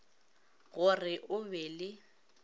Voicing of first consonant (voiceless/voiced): voiced